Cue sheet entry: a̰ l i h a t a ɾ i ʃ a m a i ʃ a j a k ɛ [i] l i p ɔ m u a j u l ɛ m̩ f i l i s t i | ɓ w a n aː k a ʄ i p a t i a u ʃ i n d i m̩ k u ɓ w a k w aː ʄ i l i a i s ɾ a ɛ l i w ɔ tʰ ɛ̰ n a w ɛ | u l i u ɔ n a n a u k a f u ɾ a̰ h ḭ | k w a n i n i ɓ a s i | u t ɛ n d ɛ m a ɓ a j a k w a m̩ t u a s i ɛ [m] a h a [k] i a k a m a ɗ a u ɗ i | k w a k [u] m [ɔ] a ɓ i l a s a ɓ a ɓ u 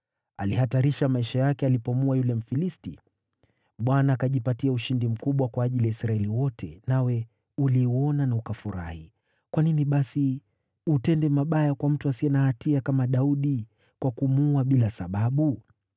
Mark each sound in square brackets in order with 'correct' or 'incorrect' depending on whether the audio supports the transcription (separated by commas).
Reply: incorrect, incorrect, incorrect, correct, incorrect